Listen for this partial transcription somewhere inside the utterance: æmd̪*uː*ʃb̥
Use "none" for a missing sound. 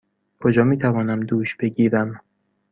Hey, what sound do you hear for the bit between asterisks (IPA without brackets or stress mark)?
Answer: uː